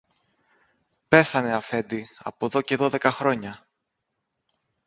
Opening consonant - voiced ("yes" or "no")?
no